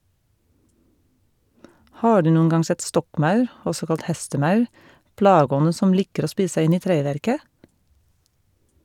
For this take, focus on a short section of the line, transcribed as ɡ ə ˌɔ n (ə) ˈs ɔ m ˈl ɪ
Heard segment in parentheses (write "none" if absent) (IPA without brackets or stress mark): ə